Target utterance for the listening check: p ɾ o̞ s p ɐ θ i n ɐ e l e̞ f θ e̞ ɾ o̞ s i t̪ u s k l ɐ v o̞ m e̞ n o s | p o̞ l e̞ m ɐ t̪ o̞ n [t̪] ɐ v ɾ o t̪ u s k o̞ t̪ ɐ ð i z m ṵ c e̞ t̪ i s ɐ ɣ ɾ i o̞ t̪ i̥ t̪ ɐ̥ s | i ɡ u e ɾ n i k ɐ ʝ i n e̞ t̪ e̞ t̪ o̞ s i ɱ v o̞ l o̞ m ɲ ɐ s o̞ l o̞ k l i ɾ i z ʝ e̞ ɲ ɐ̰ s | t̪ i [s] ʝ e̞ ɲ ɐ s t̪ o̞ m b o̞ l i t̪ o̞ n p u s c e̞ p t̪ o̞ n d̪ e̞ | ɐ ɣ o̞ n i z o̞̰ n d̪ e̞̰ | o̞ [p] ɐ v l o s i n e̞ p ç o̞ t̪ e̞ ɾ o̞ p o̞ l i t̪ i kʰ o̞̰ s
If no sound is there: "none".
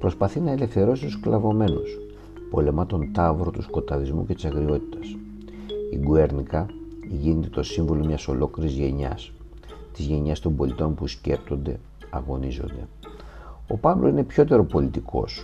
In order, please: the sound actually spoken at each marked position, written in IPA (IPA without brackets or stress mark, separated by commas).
t̪, z, p